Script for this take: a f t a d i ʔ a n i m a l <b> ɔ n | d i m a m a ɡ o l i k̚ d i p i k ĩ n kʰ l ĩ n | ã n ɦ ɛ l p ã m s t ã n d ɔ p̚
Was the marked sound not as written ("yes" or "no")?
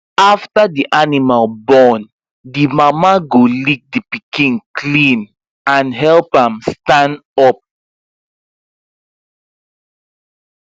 no